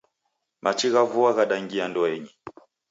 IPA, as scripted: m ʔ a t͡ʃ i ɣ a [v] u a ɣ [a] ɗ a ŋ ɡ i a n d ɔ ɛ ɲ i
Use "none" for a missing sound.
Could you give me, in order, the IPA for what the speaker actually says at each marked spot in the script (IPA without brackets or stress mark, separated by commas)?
v, a